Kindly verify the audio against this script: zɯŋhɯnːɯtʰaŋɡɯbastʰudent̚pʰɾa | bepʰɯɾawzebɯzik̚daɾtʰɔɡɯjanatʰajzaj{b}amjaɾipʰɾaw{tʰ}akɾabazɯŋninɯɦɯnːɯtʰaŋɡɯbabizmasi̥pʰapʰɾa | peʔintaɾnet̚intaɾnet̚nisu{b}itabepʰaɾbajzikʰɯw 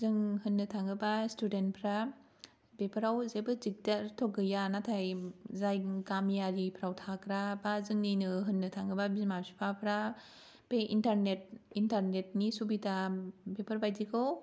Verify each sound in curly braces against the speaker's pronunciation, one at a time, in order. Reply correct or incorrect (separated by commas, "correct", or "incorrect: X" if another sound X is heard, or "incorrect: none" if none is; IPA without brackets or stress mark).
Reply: incorrect: ɡ, correct, correct